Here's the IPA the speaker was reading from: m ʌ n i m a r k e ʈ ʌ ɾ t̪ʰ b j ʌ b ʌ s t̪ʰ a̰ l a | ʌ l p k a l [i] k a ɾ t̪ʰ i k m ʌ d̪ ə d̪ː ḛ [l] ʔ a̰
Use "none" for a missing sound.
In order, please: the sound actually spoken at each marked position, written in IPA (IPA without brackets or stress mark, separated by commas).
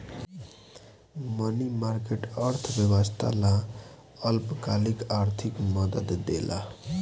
i, l